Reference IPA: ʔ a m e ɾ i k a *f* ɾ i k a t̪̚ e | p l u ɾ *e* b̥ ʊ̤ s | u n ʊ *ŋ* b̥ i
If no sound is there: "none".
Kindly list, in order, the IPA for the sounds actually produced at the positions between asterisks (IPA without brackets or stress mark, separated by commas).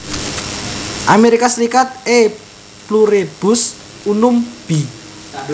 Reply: s, e, m